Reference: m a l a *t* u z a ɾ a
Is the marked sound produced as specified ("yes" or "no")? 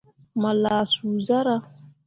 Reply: no